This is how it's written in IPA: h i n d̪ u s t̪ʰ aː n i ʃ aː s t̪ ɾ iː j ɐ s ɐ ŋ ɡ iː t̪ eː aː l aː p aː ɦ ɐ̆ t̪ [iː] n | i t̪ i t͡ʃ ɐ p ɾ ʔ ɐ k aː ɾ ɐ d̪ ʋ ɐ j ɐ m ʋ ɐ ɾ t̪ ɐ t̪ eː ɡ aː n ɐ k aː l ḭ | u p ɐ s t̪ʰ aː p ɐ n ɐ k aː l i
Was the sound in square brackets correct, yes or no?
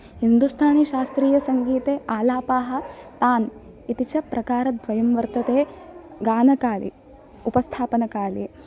no